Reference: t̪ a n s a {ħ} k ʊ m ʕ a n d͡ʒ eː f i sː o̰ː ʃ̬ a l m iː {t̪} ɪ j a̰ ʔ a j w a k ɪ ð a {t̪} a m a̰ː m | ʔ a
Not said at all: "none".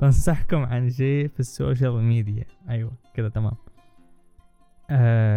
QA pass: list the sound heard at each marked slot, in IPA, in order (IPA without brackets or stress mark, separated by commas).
ħ, d̪, t̪